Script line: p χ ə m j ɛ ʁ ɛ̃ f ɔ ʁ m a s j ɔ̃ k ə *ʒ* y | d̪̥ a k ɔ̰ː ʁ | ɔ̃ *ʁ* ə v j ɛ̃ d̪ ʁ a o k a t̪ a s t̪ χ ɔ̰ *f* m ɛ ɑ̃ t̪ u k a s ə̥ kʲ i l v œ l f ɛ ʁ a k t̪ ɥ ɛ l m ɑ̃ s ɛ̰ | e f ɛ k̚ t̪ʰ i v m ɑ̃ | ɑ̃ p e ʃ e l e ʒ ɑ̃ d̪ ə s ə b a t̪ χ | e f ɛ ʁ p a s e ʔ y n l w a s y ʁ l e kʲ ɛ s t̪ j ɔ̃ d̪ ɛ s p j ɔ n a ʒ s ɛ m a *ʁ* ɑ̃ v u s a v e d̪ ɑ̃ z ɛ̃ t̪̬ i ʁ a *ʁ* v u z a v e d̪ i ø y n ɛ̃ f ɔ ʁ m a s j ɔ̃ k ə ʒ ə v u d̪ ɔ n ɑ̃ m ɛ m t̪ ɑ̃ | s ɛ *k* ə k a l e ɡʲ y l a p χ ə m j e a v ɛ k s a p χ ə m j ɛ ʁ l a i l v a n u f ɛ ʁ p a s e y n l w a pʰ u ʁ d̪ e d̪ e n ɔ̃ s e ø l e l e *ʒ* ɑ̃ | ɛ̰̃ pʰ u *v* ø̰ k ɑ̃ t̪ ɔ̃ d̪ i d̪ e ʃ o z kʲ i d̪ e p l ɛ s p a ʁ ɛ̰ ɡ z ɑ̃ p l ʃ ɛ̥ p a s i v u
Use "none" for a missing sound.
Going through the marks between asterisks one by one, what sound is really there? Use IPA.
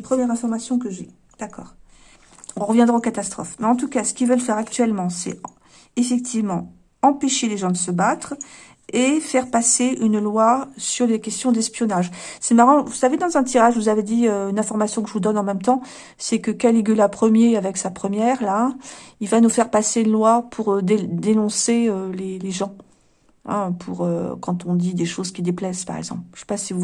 ʒ, ʁ, f, ʁ, ʒ, k, ʒ, ʁ

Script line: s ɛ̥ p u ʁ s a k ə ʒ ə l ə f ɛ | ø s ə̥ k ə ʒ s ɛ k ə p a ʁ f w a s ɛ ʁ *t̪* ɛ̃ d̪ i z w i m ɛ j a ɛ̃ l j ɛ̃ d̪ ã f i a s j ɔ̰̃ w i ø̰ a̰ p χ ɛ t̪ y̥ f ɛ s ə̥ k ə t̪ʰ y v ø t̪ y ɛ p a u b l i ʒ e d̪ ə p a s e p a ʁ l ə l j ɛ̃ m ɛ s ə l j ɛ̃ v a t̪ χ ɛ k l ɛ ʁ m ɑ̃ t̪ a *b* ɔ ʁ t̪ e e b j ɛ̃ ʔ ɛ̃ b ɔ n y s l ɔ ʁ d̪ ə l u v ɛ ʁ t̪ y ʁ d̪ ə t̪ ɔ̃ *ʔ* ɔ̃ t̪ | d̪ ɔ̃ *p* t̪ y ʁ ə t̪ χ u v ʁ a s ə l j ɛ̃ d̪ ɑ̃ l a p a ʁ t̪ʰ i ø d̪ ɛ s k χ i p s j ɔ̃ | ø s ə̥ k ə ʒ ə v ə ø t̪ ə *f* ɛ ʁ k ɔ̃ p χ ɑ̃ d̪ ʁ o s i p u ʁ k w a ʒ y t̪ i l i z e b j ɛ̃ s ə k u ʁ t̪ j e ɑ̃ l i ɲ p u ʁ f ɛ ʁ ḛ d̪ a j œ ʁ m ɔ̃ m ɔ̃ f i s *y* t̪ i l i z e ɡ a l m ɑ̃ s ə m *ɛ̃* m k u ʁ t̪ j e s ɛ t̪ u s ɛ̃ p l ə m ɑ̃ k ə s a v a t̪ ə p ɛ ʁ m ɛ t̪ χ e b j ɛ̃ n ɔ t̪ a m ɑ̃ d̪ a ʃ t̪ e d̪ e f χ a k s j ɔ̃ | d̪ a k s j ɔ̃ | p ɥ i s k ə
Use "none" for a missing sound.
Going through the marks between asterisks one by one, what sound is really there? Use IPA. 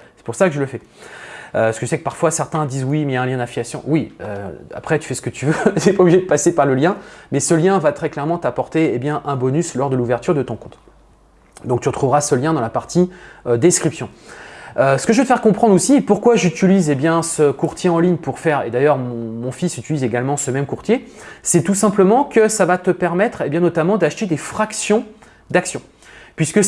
t̪, p, k, k, f, y, ɛ

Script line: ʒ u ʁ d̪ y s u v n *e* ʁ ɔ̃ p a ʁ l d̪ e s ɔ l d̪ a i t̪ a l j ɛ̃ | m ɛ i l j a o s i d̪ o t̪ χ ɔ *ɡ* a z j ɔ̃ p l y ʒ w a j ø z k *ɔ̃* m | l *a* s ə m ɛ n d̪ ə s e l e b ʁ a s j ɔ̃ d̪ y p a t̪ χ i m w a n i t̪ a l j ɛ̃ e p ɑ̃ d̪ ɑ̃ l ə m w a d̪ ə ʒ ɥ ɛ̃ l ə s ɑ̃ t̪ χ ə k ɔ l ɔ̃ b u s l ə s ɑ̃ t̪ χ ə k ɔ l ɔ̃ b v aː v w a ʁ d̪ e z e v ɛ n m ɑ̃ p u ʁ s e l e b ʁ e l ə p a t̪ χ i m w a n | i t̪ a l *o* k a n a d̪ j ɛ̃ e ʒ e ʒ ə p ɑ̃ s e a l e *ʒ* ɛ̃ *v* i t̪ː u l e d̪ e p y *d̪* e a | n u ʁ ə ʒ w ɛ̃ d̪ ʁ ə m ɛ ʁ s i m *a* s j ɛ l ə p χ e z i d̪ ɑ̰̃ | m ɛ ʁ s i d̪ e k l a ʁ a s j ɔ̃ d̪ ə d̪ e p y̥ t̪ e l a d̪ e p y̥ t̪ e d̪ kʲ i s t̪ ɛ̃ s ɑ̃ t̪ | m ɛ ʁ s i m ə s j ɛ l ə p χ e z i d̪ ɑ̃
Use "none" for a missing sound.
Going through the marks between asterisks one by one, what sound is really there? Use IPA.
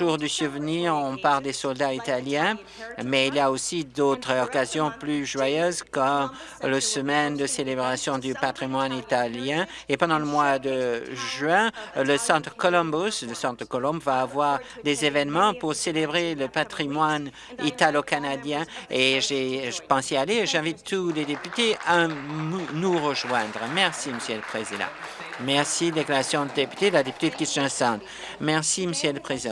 i, k, ɔ, ə, o, ʒ, v, t̪, ə

